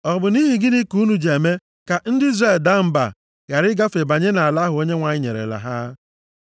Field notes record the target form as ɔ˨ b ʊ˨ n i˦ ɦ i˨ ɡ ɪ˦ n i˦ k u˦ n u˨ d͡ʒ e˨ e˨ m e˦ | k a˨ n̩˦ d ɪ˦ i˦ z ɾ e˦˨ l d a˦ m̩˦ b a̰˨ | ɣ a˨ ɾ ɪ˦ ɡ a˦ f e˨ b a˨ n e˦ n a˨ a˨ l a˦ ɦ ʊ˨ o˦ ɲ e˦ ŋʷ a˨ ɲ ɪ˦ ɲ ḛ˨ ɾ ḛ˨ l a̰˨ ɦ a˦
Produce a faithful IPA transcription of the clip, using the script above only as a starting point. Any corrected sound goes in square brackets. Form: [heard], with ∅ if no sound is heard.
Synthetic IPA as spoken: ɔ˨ b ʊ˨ n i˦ ɦ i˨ ɡ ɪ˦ n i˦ k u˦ n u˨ d͡ʒ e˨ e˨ m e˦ | k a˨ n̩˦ d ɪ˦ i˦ z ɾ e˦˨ l d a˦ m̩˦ b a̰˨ | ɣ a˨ ɾ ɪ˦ ɡ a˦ f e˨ b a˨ [ɲ] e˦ n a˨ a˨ l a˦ ɦ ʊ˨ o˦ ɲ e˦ ŋʷ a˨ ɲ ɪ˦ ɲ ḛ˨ ɾ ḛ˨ l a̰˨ ɦ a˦